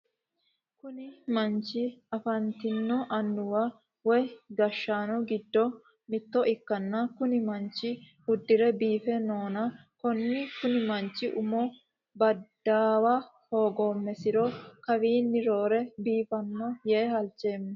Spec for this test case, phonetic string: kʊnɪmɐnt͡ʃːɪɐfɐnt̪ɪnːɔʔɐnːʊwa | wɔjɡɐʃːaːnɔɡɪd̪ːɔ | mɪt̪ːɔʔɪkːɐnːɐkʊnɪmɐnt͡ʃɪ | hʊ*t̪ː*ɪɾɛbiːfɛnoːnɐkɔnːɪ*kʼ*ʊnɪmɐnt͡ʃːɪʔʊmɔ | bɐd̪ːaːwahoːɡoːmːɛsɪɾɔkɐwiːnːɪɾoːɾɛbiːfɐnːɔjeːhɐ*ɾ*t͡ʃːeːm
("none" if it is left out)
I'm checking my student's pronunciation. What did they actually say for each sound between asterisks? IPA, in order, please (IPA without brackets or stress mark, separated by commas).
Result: d̪ː, k, l